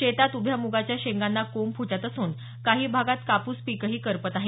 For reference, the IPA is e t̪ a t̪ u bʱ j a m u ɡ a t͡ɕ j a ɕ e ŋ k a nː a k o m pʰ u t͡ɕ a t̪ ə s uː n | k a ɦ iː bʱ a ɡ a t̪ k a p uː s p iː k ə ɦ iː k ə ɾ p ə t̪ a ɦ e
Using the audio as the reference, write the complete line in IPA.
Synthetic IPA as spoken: e t̪ a t̪ u bʱ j a m u ɡ a t͡ɕ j a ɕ e ŋ ɡ a nː a k o m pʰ u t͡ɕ a t̪ ə s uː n | k a ɦ iː bʱ a ɡ a t̪ k a p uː s p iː k ə ɦ iː k ə ɾ p ə t̪ a ɦ e